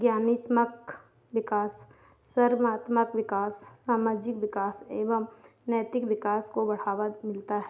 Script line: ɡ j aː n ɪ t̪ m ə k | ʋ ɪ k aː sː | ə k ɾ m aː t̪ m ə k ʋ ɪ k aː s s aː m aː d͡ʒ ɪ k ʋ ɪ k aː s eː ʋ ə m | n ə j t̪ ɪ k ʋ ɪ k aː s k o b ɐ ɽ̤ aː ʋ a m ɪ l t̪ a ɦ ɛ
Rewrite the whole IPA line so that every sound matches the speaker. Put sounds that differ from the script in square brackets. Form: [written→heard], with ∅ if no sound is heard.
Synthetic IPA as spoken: ɡ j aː n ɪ t̪ m ə k | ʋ ɪ k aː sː | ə [k→∅] ɾ m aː t̪ m ə k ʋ ɪ k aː s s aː m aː d͡ʒ ɪ k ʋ ɪ k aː s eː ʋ ə m | n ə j t̪ ɪ k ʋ ɪ k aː s k o b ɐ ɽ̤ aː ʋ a m ɪ l t̪ a ɦ ɛ